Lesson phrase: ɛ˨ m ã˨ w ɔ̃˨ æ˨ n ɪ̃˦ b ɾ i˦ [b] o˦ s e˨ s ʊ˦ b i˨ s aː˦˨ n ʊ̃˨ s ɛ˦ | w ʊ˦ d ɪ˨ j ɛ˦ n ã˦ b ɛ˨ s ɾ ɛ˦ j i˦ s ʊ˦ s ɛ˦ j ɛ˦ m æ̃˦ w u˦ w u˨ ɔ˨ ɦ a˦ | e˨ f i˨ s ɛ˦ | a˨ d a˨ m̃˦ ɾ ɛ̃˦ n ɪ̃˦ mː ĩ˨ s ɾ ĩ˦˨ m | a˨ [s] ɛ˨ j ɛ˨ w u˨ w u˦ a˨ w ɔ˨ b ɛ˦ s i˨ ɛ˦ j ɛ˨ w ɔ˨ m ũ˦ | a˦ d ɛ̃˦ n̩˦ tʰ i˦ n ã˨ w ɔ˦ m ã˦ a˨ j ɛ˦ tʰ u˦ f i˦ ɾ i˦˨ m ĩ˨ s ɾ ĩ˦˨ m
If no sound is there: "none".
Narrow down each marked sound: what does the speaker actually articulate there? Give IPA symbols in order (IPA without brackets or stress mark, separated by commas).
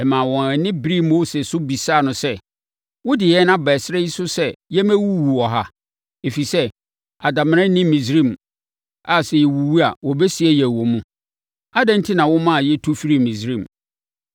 m, s